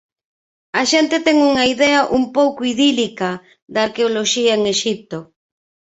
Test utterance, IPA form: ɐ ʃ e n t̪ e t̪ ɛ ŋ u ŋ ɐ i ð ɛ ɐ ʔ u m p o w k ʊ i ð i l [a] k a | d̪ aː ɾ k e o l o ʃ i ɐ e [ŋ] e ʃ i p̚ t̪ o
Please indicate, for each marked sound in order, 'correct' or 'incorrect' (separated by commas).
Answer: incorrect, correct